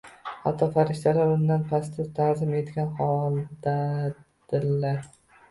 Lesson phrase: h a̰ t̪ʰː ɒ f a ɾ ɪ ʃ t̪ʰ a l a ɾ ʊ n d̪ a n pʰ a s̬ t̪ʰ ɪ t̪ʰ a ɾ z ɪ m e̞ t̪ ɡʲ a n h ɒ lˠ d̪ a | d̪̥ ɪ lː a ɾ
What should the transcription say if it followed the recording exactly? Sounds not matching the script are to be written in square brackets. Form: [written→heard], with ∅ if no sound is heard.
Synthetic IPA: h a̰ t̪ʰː ɒ f a ɾ ɪ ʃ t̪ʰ a l a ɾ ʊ n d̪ a n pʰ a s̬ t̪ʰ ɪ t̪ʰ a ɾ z ɪ m e̞ t̪ ɡʲ a n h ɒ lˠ d̪ a | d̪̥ ɪ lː a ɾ